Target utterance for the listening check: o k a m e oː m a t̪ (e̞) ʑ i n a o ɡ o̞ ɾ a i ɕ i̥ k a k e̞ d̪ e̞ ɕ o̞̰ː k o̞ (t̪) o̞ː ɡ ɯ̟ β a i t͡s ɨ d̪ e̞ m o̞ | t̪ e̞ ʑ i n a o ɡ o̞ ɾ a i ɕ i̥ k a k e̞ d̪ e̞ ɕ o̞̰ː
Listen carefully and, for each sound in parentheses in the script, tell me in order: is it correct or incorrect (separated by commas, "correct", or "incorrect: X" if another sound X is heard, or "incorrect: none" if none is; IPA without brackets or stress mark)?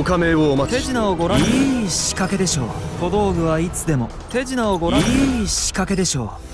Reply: correct, incorrect: d̪